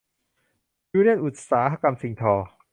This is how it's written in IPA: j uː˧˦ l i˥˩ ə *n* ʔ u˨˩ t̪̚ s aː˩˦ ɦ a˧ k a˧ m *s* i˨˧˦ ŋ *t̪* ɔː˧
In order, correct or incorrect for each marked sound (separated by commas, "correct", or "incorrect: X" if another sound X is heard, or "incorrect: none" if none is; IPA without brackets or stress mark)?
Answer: correct, correct, incorrect: t̪ʰ